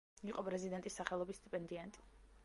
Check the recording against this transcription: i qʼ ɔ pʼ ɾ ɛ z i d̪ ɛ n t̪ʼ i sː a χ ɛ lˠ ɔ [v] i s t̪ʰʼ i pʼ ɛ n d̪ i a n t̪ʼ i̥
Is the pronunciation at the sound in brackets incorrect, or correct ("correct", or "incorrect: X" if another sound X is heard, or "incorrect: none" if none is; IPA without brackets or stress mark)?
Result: incorrect: b